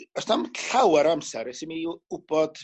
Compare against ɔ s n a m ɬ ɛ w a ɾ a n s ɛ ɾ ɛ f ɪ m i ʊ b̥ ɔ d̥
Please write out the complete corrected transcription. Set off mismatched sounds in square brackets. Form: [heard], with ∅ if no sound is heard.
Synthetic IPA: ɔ s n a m ɬ [a] w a ɾ a [m] s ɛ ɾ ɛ [s] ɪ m i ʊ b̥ ɔ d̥